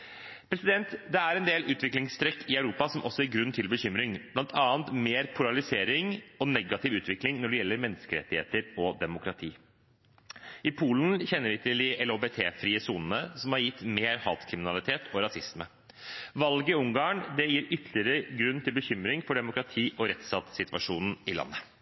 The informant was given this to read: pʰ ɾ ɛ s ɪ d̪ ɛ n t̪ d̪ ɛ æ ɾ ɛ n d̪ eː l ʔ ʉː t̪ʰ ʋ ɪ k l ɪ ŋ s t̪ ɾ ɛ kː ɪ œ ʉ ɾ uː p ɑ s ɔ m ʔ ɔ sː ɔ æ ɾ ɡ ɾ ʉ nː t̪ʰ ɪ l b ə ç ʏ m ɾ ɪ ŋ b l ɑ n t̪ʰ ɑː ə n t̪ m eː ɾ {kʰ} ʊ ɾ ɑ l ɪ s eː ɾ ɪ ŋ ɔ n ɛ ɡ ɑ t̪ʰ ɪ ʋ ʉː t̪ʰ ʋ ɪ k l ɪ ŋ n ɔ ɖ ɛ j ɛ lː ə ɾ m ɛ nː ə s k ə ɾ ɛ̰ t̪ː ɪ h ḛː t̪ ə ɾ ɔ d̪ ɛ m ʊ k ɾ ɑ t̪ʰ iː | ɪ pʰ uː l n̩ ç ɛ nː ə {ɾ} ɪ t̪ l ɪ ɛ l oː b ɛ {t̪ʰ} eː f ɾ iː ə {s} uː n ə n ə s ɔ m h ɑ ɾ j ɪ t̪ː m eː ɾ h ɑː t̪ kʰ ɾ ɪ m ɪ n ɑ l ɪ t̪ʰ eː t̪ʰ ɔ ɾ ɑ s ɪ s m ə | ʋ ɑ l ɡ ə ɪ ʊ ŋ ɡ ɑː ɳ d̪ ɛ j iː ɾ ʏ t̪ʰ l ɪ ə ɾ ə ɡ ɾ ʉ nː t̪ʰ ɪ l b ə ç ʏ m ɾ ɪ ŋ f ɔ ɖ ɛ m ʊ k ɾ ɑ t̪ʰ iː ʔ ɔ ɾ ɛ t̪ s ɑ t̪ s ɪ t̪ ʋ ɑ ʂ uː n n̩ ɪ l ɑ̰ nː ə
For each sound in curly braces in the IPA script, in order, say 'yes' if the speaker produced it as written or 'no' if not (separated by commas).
no, yes, yes, yes